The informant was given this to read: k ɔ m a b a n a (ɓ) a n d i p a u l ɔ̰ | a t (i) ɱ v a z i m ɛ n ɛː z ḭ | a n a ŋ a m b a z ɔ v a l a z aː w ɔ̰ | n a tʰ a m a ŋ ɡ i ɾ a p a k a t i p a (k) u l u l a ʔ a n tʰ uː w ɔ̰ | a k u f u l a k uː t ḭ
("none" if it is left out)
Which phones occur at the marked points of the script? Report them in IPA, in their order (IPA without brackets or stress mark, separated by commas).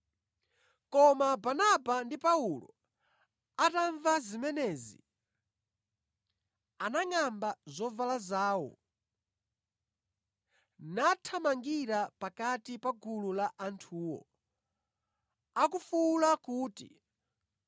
b, a, ɡ